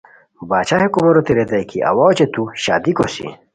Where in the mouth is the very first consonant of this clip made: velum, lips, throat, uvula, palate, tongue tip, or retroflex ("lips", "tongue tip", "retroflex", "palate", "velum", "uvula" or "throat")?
lips